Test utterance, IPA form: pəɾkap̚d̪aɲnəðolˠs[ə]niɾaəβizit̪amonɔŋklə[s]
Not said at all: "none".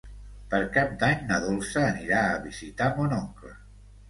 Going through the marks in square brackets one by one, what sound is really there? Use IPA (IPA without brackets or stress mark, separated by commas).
əː, none